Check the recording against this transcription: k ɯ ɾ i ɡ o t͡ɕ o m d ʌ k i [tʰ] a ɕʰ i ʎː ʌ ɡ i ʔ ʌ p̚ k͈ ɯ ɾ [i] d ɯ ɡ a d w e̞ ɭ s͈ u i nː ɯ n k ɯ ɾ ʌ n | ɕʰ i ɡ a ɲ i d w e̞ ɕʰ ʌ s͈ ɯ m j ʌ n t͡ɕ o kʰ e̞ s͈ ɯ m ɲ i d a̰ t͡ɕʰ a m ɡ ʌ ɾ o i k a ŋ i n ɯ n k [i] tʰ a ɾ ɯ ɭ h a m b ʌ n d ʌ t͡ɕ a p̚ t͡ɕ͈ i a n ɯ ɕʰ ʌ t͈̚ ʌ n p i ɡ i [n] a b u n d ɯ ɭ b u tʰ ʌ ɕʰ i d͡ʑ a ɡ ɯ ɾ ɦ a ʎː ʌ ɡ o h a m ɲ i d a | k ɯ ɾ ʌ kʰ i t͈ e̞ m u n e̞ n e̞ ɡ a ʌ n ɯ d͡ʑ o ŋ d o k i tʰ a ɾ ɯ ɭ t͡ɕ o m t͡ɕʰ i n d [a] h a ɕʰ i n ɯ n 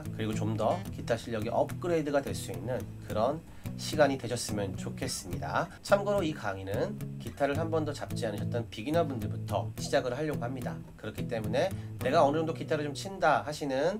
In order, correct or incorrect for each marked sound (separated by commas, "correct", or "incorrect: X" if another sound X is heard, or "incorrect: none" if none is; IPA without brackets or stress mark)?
correct, incorrect: e, correct, correct, correct